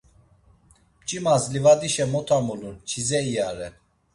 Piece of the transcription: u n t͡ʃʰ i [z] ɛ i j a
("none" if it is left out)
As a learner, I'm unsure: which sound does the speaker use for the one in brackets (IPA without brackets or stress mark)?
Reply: z